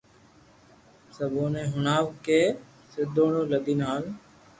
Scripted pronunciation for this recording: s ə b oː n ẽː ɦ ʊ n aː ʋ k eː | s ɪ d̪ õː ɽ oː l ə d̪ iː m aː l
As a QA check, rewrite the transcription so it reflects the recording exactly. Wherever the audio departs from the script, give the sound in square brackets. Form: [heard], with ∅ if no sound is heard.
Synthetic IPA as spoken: s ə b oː n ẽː ɦ ʊ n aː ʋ k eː | s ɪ d̪ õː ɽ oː l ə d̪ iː [n] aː l